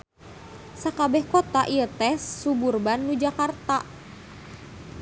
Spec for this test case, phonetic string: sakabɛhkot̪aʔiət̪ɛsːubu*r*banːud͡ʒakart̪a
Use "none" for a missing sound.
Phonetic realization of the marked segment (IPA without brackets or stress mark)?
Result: r